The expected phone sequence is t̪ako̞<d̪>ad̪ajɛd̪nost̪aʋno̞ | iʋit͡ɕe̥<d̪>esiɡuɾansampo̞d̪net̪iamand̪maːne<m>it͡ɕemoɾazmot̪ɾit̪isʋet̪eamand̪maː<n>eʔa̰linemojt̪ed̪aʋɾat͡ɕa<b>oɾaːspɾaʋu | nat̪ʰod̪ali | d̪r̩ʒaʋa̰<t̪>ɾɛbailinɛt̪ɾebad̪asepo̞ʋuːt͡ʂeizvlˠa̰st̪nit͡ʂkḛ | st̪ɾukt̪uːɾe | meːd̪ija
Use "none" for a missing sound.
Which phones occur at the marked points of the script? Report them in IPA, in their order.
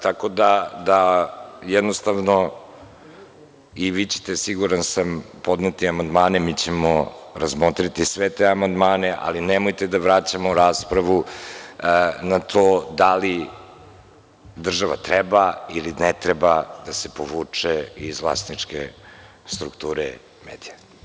d̪, t̪, m, n, m, t̪

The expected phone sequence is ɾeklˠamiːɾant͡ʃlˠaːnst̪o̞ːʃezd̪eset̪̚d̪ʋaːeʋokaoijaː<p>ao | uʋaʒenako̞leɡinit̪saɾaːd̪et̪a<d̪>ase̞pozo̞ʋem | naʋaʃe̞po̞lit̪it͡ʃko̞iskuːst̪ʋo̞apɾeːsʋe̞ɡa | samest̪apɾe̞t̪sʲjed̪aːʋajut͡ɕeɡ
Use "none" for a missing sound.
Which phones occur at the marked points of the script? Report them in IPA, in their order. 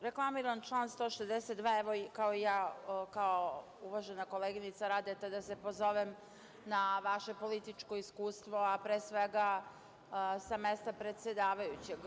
k, d̪

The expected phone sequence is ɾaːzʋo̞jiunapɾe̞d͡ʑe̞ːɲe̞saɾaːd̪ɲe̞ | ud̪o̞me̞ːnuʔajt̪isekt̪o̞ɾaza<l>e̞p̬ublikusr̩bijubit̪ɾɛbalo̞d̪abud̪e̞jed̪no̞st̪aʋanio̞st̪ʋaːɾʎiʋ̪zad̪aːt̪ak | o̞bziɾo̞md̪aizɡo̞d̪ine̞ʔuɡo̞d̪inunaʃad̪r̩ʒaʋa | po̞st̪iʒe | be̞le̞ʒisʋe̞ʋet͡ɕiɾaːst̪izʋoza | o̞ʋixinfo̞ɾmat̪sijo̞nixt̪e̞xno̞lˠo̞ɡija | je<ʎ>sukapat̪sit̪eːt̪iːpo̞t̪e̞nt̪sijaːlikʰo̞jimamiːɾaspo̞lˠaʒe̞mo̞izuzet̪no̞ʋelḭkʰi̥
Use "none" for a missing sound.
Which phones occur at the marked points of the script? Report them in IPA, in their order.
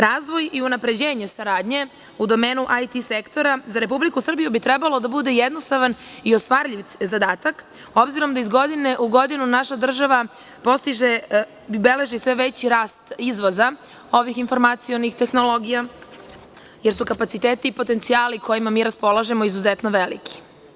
ɾ, ɾ

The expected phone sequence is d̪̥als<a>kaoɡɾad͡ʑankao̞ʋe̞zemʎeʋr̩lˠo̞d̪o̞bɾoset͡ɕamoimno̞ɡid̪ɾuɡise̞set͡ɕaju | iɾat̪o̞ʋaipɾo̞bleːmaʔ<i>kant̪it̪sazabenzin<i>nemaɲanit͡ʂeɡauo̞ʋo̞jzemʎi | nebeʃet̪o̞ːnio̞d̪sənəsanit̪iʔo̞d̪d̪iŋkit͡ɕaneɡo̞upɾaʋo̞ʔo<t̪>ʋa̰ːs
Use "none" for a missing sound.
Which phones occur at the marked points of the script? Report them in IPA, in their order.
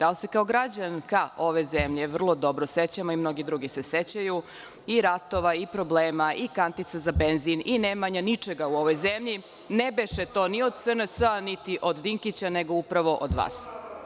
e, i, i, d̪

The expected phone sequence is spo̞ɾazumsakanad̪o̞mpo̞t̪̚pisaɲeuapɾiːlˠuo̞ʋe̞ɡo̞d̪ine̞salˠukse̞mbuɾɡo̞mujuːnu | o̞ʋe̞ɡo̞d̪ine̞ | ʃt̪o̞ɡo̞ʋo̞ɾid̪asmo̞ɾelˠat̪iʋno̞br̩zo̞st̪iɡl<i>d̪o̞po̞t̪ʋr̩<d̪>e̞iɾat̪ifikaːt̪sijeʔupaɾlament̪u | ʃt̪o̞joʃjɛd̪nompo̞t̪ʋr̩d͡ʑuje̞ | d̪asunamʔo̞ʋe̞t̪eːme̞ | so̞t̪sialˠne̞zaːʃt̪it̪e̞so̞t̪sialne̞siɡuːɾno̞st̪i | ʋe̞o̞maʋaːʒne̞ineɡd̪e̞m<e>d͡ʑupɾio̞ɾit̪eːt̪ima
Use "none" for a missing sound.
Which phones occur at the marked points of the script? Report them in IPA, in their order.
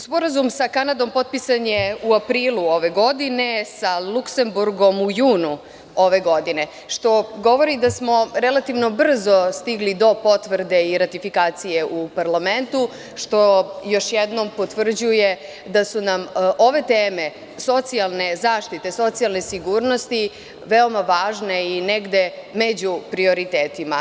i, d̪, e

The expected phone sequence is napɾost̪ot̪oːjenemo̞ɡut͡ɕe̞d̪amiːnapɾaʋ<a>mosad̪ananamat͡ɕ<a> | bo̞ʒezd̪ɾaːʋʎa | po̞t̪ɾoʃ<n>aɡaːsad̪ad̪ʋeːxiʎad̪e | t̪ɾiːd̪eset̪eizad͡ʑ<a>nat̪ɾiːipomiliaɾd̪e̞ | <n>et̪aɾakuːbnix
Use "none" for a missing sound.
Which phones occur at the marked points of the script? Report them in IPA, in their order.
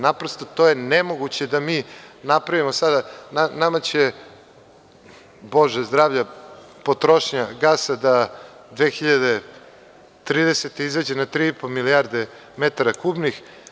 i, e, ɲ, e, m

